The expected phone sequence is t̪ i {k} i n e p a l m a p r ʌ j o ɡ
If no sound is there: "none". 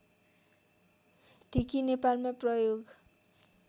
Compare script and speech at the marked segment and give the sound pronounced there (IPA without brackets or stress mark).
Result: k